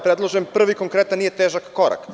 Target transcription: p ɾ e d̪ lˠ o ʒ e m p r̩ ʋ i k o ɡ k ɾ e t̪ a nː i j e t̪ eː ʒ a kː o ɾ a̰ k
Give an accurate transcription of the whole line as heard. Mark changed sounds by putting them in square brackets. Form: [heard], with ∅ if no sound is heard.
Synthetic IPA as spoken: p ɾ e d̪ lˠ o ʒ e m p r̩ ʋ i k o [ŋ] k ɾ e t̪ a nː i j e t̪ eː ʒ a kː o ɾ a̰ k